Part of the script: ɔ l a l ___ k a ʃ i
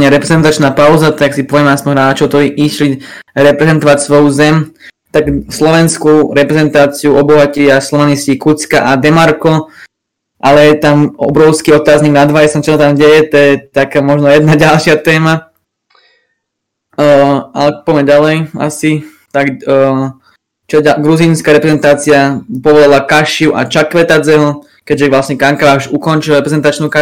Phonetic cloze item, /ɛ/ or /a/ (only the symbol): a